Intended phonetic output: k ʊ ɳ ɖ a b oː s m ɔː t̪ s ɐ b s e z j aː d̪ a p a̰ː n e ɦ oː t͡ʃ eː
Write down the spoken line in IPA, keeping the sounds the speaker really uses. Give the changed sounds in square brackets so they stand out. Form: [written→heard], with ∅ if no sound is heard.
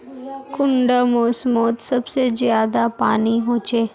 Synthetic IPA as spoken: k ʊ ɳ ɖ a [b→m] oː s m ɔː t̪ s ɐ b s e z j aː d̪ a p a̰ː n [e→i] ɦ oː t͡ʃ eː